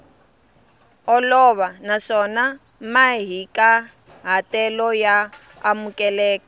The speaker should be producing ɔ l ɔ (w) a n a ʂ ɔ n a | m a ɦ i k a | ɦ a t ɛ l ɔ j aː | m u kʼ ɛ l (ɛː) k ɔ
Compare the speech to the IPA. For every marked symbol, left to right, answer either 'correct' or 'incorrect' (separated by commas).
incorrect, correct